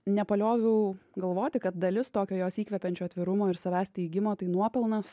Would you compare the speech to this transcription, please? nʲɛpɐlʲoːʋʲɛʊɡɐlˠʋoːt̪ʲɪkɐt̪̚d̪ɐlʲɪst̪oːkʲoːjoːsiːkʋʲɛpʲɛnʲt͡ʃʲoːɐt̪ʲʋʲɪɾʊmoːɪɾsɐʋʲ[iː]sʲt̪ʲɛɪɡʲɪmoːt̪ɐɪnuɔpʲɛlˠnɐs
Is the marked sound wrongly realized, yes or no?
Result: yes